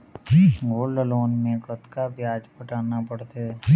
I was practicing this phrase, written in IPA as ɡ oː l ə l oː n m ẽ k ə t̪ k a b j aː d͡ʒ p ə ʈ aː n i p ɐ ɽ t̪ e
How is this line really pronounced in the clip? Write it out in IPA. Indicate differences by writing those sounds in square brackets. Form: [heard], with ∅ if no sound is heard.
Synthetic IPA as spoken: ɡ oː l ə l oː n m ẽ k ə t̪ k a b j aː d͡ʒ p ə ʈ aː n [a] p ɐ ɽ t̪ e